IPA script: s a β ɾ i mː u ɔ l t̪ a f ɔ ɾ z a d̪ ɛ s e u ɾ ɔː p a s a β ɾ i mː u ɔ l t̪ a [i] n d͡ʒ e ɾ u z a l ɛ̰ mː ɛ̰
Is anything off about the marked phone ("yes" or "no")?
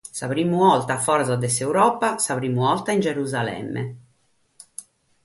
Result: no